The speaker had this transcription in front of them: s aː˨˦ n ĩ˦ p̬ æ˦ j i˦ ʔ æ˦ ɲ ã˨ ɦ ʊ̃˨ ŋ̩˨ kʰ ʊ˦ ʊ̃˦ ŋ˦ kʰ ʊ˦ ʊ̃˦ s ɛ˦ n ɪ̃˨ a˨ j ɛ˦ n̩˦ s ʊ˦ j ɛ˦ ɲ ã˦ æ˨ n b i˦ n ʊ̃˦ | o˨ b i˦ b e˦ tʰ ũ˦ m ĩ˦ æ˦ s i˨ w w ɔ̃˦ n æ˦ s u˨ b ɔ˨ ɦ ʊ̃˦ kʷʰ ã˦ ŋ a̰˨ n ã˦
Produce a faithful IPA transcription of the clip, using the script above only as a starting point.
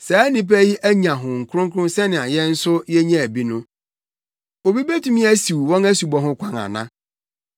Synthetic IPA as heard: s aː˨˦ n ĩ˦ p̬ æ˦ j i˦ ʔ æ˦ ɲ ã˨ ɦ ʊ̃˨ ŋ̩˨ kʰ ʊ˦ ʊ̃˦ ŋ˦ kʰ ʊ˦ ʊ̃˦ s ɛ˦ n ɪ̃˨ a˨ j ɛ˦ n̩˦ s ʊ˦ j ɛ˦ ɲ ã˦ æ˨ b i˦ n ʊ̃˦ | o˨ b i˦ b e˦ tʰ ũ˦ m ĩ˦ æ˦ s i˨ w w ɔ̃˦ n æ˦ s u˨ b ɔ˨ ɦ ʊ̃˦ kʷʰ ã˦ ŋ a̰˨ n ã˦